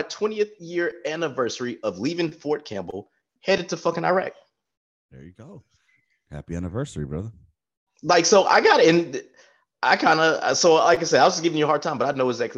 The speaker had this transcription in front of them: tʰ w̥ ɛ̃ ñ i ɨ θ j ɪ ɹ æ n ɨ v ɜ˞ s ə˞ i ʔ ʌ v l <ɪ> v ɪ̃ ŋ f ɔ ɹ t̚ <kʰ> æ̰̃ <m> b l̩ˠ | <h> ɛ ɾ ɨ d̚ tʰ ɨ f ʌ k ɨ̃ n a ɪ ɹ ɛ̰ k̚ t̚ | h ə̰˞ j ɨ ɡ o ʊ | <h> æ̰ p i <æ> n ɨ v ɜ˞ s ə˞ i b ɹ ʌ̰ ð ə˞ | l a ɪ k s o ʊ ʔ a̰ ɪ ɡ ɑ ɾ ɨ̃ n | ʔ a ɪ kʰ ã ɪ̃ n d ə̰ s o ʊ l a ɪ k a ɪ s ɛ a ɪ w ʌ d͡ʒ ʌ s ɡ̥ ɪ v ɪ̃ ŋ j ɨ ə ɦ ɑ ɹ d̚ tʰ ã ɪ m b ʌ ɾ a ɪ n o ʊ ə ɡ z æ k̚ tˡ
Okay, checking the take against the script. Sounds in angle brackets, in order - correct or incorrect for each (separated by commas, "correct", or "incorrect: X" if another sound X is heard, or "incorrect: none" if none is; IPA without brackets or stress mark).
incorrect: i, correct, correct, correct, correct, correct